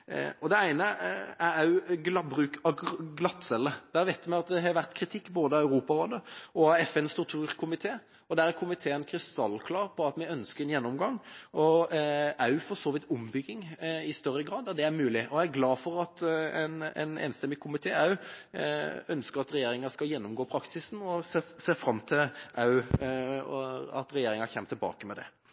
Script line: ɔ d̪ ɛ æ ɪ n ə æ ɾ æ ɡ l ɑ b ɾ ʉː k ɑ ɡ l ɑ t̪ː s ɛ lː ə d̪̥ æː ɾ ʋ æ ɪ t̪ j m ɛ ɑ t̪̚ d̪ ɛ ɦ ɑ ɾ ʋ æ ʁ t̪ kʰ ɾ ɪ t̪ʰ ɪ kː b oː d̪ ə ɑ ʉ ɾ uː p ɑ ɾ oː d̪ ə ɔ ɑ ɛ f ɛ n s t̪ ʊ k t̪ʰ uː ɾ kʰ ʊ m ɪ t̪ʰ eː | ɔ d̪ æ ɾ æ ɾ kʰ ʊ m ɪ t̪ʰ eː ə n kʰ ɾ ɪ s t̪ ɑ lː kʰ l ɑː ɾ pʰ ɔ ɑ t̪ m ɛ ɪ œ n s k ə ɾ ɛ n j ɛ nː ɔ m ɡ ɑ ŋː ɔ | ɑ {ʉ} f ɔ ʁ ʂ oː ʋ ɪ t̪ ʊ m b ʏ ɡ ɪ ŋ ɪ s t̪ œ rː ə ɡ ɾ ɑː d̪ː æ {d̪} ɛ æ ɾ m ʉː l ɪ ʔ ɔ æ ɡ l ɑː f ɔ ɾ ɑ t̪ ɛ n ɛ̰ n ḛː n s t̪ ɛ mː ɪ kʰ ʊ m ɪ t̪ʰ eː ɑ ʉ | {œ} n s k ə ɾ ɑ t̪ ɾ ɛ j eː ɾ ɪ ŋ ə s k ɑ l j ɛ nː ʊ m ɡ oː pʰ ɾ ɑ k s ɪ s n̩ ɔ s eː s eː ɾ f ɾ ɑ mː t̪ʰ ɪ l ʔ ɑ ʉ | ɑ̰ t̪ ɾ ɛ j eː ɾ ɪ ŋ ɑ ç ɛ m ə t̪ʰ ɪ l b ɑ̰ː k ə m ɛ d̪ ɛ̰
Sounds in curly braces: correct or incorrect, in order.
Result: correct, correct, correct

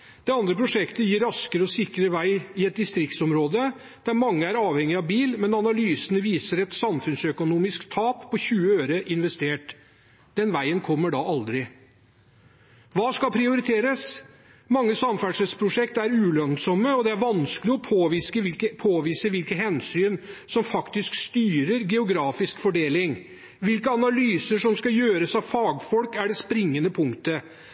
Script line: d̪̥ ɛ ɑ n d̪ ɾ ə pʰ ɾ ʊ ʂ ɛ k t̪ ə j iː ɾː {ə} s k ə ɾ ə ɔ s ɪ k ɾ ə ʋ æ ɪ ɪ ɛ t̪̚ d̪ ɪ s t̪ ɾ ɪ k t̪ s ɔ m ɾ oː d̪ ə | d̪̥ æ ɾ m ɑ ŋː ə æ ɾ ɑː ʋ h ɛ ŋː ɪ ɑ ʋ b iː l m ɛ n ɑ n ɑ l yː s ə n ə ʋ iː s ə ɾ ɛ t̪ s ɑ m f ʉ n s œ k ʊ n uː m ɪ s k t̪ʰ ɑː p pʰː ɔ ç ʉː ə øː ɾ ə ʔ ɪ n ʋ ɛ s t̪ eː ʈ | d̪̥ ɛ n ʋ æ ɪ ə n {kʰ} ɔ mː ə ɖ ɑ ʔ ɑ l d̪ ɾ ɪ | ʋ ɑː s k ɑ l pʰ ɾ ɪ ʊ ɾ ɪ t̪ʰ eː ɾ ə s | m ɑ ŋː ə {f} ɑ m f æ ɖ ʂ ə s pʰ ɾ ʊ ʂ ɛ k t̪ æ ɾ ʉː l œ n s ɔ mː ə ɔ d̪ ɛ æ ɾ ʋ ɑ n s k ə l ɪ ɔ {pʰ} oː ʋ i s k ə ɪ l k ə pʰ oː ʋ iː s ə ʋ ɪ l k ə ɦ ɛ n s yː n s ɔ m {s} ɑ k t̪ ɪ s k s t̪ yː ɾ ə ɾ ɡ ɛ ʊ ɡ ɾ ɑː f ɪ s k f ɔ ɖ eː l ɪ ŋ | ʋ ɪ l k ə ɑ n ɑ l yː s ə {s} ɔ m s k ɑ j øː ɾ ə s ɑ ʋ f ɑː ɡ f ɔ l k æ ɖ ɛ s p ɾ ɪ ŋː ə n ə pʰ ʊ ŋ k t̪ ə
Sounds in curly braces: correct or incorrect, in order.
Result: incorrect, correct, incorrect, correct, incorrect, incorrect

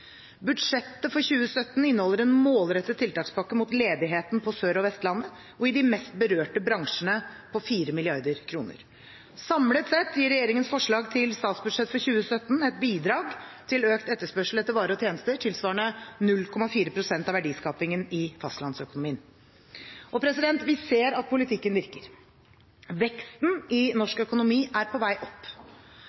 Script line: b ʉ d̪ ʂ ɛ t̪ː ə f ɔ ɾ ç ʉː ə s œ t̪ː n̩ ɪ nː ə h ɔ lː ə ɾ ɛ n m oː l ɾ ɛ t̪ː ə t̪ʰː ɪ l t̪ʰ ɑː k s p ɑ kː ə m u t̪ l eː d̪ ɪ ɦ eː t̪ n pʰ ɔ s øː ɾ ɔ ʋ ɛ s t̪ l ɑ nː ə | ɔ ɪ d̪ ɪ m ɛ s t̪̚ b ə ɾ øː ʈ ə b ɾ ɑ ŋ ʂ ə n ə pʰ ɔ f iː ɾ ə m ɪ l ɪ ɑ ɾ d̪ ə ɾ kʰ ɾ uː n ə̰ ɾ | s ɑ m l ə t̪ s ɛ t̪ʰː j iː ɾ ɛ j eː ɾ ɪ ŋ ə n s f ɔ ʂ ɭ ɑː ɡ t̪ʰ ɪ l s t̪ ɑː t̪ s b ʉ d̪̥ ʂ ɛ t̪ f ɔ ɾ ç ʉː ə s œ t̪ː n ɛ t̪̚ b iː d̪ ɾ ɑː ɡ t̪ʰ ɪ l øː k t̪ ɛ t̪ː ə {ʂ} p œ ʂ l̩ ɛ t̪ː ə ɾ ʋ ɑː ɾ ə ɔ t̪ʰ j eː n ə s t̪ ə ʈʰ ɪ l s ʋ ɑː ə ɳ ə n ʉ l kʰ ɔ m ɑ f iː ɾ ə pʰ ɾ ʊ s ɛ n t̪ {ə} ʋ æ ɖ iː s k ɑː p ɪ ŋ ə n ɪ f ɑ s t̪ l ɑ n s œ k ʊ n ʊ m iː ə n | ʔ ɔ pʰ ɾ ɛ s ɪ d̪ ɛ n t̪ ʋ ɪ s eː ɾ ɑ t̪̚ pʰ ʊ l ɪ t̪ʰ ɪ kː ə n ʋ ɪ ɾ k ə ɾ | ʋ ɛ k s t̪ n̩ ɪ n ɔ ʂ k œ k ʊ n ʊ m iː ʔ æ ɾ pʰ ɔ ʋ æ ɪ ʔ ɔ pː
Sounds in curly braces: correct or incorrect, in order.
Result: correct, incorrect

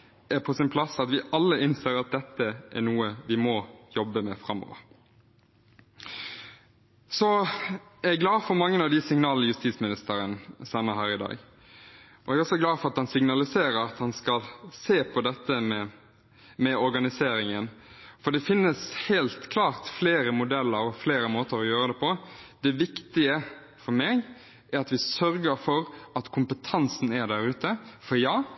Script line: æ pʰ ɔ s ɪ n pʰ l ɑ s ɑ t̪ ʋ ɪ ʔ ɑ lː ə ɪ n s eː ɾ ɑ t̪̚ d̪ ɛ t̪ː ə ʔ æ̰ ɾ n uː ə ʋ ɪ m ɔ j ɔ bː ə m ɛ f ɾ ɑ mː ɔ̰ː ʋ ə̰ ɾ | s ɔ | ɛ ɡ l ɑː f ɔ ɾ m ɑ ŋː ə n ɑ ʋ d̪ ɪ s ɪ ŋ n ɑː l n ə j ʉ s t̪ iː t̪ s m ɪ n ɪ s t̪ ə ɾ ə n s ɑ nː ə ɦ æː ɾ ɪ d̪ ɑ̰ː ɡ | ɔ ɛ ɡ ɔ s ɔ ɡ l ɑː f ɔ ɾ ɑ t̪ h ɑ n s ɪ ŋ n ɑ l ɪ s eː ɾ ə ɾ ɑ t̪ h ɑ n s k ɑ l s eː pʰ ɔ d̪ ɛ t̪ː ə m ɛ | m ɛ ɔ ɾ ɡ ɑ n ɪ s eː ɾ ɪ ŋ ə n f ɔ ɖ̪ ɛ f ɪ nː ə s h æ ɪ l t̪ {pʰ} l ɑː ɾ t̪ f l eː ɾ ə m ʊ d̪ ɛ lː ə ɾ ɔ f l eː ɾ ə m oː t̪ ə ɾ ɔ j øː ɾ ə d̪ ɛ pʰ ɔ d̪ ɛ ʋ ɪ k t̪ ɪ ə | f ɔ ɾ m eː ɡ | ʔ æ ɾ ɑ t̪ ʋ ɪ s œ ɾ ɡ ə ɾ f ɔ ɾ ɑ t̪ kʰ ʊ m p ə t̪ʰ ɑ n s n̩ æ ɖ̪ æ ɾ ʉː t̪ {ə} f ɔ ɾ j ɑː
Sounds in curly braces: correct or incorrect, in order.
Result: incorrect, correct

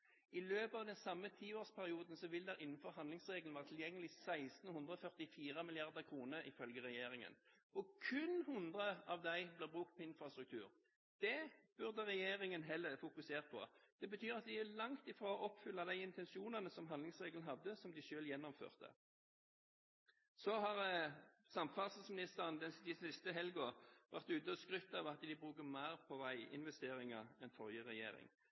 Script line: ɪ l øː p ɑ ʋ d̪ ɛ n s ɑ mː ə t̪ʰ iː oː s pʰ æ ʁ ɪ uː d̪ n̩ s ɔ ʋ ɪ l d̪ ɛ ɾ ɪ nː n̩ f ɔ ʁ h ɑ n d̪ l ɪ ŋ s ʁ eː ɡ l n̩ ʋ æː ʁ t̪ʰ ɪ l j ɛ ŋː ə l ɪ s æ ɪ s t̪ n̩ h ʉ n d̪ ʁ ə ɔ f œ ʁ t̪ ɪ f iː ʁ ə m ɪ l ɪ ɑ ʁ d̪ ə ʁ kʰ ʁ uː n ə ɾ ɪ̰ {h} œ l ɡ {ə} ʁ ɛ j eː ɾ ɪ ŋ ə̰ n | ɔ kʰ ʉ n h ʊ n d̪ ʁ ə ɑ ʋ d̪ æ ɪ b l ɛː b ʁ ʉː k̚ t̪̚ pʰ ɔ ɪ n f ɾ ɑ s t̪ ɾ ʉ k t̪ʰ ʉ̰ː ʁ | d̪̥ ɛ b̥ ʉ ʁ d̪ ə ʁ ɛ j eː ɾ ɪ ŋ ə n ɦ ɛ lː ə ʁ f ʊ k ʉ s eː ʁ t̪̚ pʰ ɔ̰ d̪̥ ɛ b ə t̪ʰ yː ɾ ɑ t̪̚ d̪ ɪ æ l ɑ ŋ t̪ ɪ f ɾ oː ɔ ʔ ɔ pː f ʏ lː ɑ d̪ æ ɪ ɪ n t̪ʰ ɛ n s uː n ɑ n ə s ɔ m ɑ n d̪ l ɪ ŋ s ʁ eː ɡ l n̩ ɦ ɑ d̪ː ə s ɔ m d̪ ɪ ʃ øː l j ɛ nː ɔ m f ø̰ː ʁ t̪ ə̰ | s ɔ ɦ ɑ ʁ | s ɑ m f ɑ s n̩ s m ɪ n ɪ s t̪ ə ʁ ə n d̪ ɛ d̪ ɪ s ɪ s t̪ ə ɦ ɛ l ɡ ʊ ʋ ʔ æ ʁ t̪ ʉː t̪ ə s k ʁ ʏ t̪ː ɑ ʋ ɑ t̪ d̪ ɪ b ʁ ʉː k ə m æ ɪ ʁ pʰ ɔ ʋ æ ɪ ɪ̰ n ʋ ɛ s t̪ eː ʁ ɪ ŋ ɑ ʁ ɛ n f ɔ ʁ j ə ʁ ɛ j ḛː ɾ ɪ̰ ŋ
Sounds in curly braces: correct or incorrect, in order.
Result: incorrect, correct

